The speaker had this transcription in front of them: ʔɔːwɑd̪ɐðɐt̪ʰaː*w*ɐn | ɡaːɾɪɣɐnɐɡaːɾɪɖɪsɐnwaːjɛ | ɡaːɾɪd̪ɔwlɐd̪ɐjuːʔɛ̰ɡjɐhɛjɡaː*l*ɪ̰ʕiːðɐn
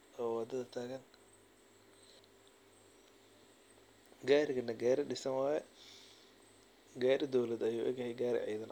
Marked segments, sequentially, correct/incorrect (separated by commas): incorrect, incorrect